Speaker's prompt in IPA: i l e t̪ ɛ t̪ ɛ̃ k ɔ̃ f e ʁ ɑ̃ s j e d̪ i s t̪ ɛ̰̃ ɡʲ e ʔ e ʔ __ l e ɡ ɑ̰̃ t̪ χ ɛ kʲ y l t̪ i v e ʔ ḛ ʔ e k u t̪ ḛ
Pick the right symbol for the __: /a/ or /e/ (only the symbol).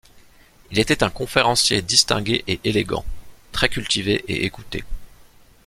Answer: e